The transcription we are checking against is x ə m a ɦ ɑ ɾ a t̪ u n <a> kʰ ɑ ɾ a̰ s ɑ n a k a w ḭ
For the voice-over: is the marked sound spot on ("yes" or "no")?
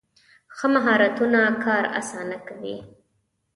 yes